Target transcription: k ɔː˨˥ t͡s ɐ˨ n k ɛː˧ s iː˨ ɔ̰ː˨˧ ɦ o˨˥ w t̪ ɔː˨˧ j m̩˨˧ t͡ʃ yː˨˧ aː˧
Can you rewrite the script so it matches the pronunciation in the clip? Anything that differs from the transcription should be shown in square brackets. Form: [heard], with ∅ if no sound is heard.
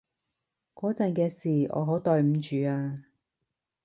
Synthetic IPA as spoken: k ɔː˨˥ t͡s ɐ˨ n k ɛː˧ s iː˨ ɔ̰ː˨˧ ɦ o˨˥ w t̪ ɔː˨˧ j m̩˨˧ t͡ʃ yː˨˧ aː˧